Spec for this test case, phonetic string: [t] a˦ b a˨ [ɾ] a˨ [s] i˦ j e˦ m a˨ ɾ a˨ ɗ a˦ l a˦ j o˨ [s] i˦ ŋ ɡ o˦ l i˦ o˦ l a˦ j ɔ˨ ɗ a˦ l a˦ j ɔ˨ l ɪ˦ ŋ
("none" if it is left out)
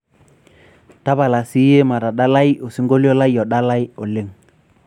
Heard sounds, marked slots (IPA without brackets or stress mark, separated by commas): t, l, s, s